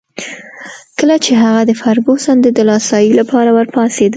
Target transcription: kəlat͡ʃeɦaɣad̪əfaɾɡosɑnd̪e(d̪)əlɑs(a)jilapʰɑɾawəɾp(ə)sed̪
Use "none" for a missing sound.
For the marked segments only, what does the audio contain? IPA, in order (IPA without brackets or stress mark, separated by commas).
d̪, ɑ, ɑ